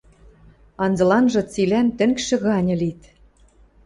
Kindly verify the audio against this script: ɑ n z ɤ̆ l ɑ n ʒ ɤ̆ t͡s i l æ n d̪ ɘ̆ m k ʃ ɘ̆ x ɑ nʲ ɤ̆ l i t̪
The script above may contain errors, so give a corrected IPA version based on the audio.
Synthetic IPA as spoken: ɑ n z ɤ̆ l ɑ n ʒ ɤ̆ t͡s i l æ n t̪ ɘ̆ ŋ k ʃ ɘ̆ ɣ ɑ nʲ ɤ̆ l i t̪